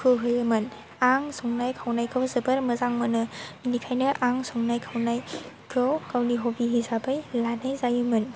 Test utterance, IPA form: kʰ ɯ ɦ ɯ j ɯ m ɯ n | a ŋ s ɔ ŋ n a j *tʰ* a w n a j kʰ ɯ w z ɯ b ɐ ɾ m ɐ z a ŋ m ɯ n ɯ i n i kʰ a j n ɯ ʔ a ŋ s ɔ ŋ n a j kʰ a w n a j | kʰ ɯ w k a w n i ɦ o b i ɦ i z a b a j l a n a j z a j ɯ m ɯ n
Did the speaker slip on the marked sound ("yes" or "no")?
yes